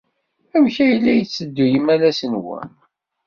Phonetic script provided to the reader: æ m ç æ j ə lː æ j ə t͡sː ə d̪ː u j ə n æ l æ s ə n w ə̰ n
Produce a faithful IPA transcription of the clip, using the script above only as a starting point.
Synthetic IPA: æ m ç æ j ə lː æ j ə t͡sː ə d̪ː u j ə m æ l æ s ə n w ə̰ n